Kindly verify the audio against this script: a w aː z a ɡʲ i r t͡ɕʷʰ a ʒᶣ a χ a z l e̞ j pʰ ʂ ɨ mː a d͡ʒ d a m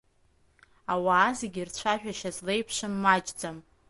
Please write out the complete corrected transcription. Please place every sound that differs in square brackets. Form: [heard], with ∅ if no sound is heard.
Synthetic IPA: a w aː z [e] ɡʲ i r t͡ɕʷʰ a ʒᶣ a [ʃ] a z l e̞ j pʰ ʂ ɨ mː a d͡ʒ [d͡z] a m